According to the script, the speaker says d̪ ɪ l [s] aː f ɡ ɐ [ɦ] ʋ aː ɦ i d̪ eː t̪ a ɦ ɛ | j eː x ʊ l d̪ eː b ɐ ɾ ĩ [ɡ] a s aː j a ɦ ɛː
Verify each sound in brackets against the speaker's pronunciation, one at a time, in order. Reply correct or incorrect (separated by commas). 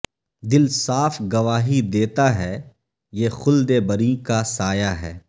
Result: correct, incorrect, incorrect